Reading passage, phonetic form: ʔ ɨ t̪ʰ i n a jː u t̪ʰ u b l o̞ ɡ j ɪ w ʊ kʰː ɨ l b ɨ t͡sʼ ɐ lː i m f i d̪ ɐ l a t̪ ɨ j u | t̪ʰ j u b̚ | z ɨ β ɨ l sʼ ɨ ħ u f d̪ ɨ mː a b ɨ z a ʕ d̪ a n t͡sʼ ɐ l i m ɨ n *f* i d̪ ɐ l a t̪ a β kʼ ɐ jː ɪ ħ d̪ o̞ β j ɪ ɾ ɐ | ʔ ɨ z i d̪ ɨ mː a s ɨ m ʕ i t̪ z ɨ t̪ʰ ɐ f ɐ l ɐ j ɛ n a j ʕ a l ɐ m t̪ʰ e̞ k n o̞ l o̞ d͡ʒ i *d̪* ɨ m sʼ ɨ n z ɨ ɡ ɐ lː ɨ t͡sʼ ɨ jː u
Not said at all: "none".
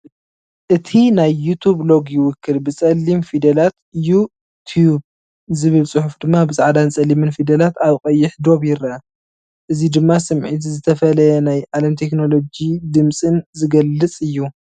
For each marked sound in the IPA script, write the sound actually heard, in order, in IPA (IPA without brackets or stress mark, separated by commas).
f, d̪